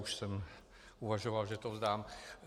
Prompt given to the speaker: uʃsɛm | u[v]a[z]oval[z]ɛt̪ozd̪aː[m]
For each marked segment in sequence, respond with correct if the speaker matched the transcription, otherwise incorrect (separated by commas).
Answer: correct, incorrect, incorrect, correct